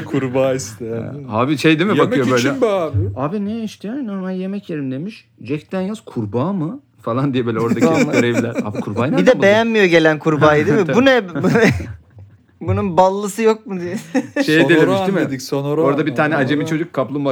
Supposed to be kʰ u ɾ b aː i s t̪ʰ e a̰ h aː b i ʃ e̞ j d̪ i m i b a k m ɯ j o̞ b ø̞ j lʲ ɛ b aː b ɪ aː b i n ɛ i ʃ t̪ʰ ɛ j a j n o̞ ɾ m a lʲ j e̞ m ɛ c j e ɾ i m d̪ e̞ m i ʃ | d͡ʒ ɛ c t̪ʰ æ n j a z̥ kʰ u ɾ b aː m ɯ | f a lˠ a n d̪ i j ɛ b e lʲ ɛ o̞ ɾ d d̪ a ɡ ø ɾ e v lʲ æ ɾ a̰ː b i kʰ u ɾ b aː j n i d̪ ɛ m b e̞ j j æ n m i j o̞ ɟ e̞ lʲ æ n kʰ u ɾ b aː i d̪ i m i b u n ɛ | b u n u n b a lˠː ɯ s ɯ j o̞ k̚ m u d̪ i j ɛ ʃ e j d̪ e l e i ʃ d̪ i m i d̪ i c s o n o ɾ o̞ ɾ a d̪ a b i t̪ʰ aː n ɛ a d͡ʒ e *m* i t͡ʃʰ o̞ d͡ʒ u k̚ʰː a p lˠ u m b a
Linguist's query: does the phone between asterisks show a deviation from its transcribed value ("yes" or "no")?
no